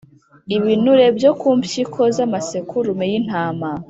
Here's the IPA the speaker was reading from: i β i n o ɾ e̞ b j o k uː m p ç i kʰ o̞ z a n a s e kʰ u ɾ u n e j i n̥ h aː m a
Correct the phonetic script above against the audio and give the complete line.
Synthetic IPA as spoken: i β i n u ɾ e̞ b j o k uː m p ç i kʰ o̞ z a m a s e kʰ u ɾ u m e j i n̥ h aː m a